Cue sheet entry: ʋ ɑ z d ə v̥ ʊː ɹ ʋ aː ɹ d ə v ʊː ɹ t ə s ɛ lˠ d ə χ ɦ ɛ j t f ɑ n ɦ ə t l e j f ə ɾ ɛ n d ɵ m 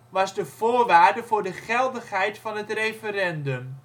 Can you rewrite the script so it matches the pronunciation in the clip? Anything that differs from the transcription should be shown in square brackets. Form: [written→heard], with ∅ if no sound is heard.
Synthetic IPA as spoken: ʋ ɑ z d ə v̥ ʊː ɹ ʋ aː ɹ d ə v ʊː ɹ [t→d] ə [s→χ] ɛ lˠ d ə χ ɦ ɛ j t f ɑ n ɦ ə t [l→r] e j f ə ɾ ɛ n d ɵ m